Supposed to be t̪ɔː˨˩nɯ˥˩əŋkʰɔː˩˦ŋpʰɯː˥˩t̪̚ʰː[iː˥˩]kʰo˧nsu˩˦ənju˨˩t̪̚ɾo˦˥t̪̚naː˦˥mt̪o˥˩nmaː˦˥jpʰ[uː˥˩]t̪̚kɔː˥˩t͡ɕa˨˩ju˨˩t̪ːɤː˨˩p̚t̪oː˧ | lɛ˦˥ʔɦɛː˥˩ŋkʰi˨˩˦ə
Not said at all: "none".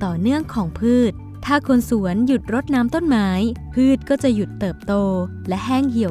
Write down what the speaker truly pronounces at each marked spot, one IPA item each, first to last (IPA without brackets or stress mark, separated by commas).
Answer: aː˥˩, ɯː˥˩